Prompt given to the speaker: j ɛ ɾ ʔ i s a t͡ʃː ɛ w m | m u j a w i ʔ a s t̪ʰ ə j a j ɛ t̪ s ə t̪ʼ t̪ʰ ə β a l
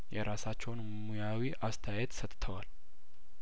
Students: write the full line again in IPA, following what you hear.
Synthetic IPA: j ɛ ɾ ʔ a s a t͡ʃː ɛ w n | m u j a w i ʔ a s t̪ʰ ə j a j ɛ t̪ s ə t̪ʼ t̪ʰ ə w a l